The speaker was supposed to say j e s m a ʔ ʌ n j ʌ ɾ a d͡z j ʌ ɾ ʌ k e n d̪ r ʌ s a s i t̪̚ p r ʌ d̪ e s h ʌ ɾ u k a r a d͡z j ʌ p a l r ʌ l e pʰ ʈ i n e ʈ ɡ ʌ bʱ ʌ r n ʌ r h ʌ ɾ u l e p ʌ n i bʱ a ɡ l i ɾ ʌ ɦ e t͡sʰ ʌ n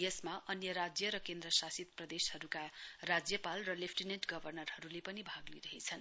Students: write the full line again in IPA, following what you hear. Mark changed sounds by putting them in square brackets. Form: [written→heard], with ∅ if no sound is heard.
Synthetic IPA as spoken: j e s m a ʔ ʌ n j ʌ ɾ a d͡z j ʌ ɾ ʌ k e n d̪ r ʌ s a s i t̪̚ p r ʌ d̪ e s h ʌ ɾ u k a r a d͡z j ʌ p a l r ʌ l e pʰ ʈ i n e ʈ ɡ ʌ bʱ ʌ r n ʌ r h ʌ ɾ u l e p ʌ n i bʱ a ɡ l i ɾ ʌ ɦ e t͡sʰ ʌ n